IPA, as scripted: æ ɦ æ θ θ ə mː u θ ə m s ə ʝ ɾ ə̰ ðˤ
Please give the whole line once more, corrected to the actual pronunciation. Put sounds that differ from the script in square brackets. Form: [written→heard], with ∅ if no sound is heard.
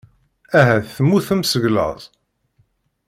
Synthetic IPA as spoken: æ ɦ æ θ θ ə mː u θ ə m s ə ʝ [ɾ→l] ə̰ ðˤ